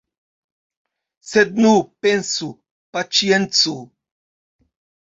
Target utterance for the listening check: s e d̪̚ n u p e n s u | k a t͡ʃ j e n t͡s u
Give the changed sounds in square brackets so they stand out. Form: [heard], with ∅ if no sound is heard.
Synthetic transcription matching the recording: s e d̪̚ n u p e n s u | [p] a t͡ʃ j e n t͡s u

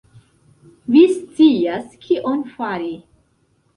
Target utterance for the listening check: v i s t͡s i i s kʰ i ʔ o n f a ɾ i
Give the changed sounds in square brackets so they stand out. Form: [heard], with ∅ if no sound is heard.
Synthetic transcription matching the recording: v i s t͡s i [a] s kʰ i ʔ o n f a ɾ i

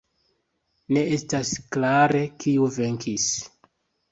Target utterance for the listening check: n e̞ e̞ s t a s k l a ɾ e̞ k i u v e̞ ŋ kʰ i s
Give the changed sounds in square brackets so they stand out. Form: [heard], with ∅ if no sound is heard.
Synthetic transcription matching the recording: n e̞ e̞ s t a s k l a ɾ e̞ k i u v e̞ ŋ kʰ i s

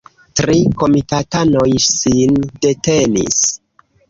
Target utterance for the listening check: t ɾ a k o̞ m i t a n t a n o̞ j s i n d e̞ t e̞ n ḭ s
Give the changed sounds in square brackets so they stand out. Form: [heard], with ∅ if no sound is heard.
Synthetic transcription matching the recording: t ɾ [i] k o̞ m i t a [∅] t a n o̞ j s i n d e̞ t e̞ n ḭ s

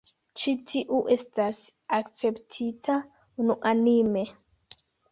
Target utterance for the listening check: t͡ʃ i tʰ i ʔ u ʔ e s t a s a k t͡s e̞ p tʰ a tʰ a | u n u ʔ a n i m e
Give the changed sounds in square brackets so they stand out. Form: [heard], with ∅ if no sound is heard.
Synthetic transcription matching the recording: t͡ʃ i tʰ i ʔ u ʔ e s t a s a k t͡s e̞ p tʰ [i] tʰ a | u n u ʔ a n i m e

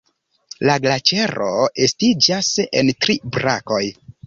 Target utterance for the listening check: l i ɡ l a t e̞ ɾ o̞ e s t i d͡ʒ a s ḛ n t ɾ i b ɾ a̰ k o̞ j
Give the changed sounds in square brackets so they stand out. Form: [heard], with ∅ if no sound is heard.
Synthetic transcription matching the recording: l [a] ɡ l a [t͡ʃ] e̞ ɾ o̞ e s t i d͡ʒ a s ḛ n t ɾ i b ɾ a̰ k o̞ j

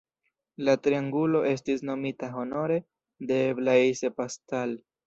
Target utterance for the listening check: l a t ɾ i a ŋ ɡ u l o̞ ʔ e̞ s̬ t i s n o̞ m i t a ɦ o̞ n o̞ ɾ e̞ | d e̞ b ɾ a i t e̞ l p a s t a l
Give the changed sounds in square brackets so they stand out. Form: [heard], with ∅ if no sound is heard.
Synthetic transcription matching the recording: l a t ɾ i a ŋ ɡ u l o̞ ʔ e̞ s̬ t i s n o̞ m i t a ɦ o̞ n o̞ ɾ e̞ | d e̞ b [l] a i [s] e̞ [∅] p a s t a l

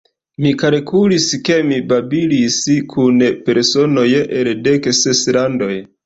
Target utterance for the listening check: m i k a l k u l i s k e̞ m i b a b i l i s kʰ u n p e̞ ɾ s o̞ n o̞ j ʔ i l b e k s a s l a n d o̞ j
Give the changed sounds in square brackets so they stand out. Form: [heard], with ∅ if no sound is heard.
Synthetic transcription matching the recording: m i k a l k u l i s k e̞ m i b a b i l i s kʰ u n p e̞ ɾ s o̞ n o̞ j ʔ [e] l [d] e k s [e] s l a n d o̞ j

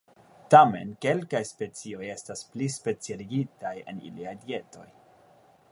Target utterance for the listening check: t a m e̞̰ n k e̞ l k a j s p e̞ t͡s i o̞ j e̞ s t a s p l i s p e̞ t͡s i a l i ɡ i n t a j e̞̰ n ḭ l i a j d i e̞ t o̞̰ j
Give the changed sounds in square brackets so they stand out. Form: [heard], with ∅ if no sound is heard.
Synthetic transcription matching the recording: t a m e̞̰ n k e̞ l k a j s p e̞ t͡s i o̞ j e̞ s t a s p l i s p e̞ t͡s i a l i ɡ i [∅] t a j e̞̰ n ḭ l i a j d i e̞ t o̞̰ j

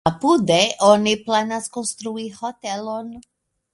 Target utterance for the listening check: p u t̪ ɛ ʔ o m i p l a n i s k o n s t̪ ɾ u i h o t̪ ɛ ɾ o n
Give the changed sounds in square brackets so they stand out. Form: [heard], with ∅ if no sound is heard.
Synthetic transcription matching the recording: p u [d̪] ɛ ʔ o [n] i p l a n [a] s k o n s t̪ ɾ u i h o t̪ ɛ [l] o n

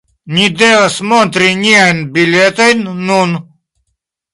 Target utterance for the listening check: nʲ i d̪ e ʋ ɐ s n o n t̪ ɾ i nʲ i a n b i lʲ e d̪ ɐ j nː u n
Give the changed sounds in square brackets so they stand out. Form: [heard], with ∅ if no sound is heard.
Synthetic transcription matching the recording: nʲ i d̪ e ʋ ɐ s [m] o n t̪ ɾ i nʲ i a n b i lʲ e [t̪] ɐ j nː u n

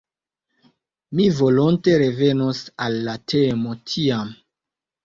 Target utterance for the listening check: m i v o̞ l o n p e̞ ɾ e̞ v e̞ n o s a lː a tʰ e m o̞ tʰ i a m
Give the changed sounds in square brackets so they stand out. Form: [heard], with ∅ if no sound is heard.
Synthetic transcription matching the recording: m i v o̞ l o n [t] e̞ ɾ e̞ v e̞ n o s a lː a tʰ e m o̞ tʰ i a m

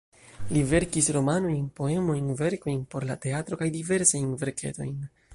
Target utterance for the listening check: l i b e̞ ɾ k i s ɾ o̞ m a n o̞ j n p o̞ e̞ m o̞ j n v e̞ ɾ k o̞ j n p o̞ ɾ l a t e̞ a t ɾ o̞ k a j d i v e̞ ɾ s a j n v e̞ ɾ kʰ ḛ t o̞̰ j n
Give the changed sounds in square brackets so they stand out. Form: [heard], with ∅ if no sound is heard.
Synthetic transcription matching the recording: l i [v] e̞ ɾ k i s ɾ o̞ m a n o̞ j n p o̞ e̞ m o̞ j n v e̞ ɾ k o̞ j n p o̞ ɾ l a t e̞ a t ɾ o̞ k a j d i v e̞ ɾ s a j n v e̞ ɾ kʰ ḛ t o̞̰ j n

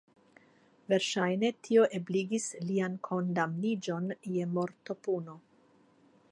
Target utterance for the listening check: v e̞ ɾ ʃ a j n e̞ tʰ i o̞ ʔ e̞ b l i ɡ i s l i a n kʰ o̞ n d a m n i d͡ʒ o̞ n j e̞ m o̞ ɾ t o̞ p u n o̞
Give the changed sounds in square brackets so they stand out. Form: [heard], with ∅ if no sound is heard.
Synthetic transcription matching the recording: v e̞ ɾ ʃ a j n e̞ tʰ i o̞ ʔ e̞ b l i ɡ i s l i a n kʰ o̞ n d a m n i d͡ʒ o̞ n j e̞ m o̞ ɾ t o̞ p u n o̞

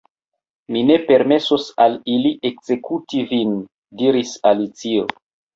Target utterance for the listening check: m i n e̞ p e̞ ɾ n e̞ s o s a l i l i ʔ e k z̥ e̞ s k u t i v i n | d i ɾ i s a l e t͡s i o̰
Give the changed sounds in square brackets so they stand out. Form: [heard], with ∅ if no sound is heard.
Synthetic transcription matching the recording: m i n e̞ p e̞ ɾ [m] e̞ s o s a l i l i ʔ e k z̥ e̞ [∅] k u t i v i n | d i ɾ i s a l [i] t͡s i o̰

